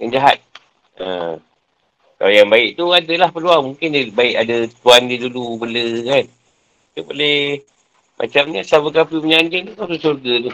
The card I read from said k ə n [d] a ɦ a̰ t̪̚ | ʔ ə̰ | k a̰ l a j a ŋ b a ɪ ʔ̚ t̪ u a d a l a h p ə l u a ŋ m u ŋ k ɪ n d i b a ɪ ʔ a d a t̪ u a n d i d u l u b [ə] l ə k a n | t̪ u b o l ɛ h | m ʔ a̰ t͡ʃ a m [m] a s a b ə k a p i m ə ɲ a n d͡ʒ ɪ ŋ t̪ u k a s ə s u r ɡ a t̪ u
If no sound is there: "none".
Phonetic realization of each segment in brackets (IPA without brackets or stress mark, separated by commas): d͡ʒ, ə, ɲ